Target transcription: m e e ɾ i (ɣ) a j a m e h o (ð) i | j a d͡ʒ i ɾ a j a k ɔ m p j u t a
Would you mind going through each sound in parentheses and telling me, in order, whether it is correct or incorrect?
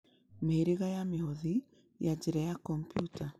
correct, correct

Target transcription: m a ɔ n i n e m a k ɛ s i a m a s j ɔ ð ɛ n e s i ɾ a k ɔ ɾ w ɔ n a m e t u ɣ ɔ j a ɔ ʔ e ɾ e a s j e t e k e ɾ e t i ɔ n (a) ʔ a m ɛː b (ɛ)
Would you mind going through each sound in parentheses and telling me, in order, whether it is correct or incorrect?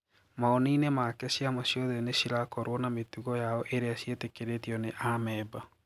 incorrect, incorrect

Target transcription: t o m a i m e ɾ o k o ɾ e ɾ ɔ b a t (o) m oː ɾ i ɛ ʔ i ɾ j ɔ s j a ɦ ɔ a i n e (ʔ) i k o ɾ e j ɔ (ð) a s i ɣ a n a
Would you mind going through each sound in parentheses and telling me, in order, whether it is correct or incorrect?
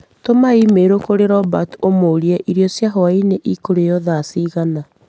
correct, correct, correct

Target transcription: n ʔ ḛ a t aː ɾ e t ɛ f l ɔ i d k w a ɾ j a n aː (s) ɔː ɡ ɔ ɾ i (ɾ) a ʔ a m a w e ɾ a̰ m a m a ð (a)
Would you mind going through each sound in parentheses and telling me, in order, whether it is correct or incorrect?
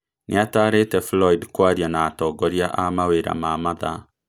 incorrect, incorrect, correct

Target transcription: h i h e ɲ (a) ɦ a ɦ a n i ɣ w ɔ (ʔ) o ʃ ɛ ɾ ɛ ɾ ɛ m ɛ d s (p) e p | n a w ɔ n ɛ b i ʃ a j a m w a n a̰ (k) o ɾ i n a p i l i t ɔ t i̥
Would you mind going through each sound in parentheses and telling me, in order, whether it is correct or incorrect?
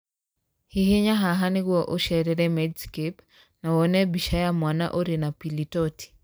correct, correct, incorrect, incorrect

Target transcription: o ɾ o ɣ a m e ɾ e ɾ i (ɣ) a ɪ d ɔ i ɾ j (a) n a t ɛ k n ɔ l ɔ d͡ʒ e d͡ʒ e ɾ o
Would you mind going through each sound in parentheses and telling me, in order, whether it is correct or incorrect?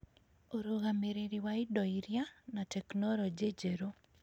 incorrect, correct

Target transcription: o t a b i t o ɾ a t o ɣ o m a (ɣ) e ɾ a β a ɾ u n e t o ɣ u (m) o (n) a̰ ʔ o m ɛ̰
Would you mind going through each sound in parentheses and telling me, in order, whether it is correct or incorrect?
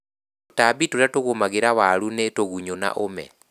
correct, incorrect, correct

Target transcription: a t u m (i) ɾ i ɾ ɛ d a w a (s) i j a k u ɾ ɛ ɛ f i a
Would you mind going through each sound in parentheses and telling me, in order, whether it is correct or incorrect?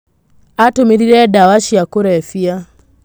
correct, incorrect

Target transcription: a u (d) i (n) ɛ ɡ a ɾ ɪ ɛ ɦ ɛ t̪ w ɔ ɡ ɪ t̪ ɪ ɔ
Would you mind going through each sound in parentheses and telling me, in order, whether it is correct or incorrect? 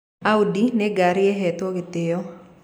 correct, correct

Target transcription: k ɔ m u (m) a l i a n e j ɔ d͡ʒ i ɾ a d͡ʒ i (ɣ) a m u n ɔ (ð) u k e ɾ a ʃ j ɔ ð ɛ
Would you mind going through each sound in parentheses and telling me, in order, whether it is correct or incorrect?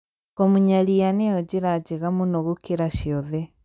incorrect, correct, incorrect

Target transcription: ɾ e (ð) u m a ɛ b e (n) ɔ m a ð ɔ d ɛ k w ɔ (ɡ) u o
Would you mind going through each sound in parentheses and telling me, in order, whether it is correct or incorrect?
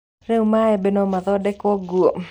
incorrect, correct, correct

